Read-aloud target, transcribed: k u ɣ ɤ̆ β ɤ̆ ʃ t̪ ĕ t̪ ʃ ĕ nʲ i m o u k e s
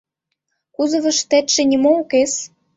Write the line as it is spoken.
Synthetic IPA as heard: k u z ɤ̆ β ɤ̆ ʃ t̪ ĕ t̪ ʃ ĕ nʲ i m o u k e s